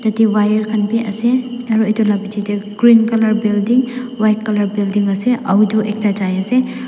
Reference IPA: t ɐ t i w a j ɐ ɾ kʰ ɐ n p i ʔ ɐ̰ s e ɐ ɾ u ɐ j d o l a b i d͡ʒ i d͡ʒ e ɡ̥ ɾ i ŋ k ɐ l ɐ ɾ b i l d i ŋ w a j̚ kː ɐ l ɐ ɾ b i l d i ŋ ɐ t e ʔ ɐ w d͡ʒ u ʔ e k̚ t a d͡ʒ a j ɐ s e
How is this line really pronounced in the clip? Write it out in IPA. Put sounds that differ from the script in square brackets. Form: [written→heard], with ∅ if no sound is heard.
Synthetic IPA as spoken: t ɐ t i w a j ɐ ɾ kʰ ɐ n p i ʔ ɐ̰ s e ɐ ɾ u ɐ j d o l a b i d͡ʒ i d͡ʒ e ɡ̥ ɾ i [ŋ→n] k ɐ l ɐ ɾ b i l d i ŋ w a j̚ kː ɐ l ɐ ɾ b i l d i ŋ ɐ [t→s] e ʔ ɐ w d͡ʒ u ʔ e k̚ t a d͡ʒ a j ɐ s e